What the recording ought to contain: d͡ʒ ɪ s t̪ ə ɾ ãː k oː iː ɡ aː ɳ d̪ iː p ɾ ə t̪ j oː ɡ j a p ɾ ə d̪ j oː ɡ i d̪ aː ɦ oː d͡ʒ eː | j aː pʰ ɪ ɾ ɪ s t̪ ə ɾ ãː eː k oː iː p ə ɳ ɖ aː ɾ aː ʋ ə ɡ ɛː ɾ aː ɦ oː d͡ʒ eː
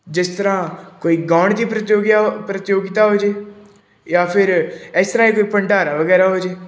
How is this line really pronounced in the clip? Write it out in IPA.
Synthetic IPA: d͡ʒ ɪ s t̪ ə ɾ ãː k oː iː ɡ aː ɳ d̪ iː p ɾ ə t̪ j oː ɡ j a p ɾ ə t̪ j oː ɡ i t̪ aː ɦ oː d͡ʒ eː | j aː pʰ ɪ ɾ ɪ s t̪ ə ɾ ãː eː k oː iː p ə ɳ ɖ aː ɾ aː ʋ ə ɡ ɛː ɾ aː ɦ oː d͡ʒ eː